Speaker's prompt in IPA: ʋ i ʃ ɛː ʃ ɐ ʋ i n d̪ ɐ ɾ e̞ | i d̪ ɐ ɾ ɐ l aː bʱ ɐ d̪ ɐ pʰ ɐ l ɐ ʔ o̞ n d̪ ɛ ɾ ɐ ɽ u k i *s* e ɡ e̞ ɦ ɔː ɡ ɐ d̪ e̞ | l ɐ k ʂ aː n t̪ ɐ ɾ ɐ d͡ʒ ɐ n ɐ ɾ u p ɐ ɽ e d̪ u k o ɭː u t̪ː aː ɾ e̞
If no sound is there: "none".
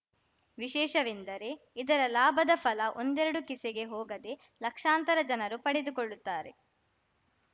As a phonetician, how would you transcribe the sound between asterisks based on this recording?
s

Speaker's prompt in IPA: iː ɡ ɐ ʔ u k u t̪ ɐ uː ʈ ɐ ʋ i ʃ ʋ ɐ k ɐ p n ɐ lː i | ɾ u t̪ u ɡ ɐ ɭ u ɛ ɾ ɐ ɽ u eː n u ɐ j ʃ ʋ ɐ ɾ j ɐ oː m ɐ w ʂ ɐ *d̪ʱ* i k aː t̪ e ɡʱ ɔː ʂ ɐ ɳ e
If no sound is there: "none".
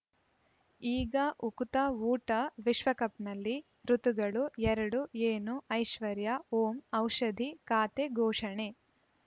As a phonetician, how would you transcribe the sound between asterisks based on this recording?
d̪ʱ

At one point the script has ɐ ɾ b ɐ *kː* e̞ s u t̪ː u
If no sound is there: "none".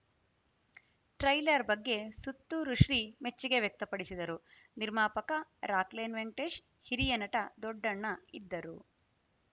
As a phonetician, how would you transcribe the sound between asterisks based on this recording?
ɡː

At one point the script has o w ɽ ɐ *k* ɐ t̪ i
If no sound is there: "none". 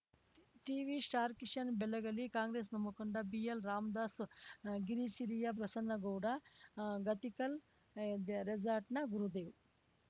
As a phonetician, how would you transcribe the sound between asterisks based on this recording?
ɡ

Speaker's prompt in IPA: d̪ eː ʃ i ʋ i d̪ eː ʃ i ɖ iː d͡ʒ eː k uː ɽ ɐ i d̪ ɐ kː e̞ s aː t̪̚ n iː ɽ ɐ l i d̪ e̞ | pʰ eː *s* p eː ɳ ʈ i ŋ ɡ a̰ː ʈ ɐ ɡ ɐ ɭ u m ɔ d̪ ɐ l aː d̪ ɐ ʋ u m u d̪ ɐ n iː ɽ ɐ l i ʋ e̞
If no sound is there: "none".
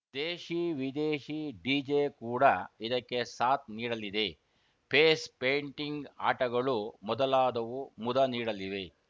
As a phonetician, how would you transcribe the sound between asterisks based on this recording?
s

